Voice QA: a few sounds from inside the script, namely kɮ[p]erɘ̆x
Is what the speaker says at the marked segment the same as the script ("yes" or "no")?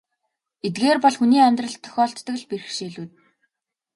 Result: yes